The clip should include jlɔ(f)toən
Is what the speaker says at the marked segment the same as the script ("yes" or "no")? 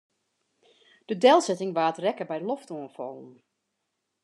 yes